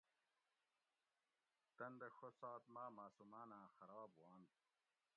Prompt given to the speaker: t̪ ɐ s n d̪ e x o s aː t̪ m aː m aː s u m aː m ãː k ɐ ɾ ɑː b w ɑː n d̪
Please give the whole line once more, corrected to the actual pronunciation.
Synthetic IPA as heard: t̪ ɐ n d̪ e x o s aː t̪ m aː m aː s u m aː n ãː x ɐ ɾ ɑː b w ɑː n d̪